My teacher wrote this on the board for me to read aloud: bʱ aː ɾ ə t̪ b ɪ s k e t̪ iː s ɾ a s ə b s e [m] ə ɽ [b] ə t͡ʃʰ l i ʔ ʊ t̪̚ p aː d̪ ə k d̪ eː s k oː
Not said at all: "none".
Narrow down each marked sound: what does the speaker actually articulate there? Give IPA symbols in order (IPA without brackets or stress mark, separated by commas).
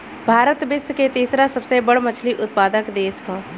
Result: b, m